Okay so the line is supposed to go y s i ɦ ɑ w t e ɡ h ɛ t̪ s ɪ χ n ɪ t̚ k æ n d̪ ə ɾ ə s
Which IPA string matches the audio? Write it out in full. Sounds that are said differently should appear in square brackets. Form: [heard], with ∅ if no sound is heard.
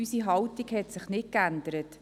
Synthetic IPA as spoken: y s i ɦ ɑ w t [i] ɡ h ɛ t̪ s ɪ χ n ɪ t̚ k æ n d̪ ə ɾ ə [t]